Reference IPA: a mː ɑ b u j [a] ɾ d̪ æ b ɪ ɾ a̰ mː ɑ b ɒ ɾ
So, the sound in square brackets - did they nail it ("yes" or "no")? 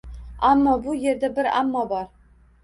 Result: no